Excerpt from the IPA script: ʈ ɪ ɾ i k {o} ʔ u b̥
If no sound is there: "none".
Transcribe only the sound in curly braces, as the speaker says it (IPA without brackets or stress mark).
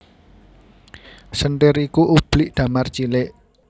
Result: u